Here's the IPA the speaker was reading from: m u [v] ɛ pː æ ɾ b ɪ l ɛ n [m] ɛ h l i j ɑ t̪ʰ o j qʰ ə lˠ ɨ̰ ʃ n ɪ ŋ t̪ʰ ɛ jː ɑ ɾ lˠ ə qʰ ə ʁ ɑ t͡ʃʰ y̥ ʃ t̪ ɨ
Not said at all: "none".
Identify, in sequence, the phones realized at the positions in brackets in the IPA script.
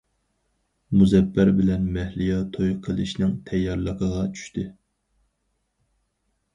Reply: z, m

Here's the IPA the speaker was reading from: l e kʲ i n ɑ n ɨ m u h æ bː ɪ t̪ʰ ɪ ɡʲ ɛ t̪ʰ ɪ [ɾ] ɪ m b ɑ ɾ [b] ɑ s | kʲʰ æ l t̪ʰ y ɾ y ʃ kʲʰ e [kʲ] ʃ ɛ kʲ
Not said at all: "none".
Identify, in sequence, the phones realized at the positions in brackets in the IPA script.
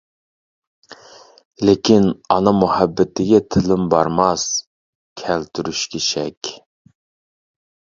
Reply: l, m, none

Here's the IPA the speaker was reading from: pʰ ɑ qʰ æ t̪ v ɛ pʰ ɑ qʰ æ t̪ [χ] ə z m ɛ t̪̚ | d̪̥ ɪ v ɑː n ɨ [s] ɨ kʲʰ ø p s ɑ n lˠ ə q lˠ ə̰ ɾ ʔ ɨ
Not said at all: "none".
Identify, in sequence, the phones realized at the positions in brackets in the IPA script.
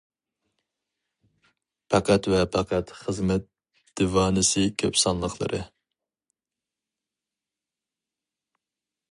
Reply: χ, s

